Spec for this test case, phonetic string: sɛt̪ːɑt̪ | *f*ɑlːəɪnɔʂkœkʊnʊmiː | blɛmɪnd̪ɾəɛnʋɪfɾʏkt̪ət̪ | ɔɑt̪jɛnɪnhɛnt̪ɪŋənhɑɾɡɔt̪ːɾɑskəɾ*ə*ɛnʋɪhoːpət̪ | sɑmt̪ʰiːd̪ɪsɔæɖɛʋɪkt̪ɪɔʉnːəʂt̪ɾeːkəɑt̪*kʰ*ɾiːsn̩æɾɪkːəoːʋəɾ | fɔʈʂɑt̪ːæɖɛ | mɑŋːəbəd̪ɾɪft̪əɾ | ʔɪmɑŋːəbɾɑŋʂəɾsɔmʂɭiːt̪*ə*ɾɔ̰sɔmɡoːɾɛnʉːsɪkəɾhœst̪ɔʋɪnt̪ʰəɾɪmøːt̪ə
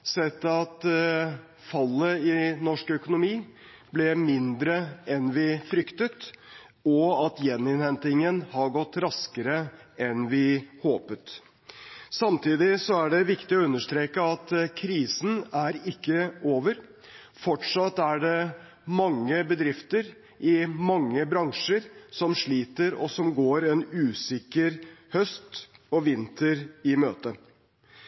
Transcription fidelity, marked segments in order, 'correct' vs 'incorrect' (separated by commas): correct, correct, correct, correct